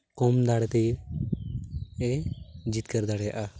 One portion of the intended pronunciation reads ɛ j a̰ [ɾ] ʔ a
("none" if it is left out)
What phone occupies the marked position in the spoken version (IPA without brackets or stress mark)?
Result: none